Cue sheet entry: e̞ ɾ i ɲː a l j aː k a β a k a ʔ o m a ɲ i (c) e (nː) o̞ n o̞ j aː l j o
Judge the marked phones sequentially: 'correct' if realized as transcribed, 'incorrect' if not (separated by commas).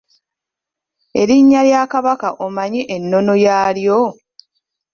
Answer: incorrect, correct